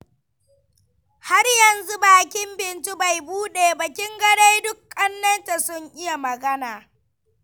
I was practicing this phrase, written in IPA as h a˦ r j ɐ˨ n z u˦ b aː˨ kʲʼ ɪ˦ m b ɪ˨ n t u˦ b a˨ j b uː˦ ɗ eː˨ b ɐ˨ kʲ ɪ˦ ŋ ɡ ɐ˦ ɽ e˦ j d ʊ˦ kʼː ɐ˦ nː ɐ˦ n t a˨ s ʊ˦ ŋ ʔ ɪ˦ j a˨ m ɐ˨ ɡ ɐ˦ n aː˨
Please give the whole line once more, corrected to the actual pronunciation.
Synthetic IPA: h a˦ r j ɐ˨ n z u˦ b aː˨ kʲ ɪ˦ m b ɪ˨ n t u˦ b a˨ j b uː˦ ɗ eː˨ b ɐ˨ kʲ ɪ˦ ŋ ɡ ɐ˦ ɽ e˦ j d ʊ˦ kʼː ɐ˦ nː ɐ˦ n t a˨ s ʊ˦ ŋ ʔ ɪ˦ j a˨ m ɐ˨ ɡ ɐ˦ n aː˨